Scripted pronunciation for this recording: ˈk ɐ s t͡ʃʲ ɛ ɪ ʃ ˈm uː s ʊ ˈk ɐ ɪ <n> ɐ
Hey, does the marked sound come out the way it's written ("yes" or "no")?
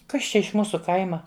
no